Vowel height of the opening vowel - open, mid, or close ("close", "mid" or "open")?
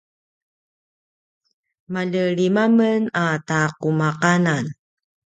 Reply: open